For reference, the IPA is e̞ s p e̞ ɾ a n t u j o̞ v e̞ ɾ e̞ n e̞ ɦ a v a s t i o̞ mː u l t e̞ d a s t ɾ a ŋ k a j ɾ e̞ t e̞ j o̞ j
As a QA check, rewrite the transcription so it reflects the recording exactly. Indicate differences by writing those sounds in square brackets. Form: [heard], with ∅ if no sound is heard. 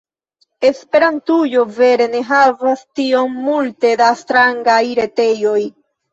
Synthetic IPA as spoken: e̞ s p e̞ ɾ a n t u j o̞ v e̞ ɾ e̞ n e̞ ɦ a v a s t i o̞ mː u l t e̞ d a s t ɾ a ŋ [ɡ] a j ɾ e̞ t e̞ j o̞ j